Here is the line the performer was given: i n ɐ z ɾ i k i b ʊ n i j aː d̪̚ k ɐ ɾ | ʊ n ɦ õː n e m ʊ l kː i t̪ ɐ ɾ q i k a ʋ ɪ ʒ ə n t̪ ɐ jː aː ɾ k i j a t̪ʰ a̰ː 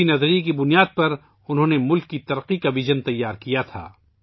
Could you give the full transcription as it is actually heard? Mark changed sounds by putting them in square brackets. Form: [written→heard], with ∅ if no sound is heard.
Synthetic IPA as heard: i n ɐ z ɾ i k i b ʊ n i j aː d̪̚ [k→p] ɐ ɾ | ʊ n ɦ õː n e m ʊ l kː i t̪ ɐ ɾ q i k a ʋ ɪ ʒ ə n t̪ ɐ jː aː ɾ k i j a t̪ʰ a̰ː